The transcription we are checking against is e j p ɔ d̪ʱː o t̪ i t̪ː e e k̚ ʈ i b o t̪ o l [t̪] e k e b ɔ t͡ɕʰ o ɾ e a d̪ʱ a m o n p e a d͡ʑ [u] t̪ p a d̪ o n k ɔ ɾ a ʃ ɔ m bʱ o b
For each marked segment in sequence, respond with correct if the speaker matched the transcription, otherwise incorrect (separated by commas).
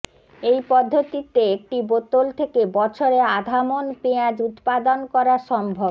incorrect, correct